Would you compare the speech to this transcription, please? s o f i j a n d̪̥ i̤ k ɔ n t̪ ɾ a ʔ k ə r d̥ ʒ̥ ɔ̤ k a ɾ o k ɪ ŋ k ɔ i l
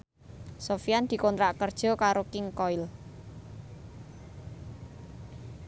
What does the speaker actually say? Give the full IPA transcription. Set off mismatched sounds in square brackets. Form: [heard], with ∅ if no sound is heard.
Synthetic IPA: s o f i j a n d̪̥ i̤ k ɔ n t̪ ɾ a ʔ k ə r d̥ ʒ̥ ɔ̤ k a ɾ o k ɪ ŋ k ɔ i l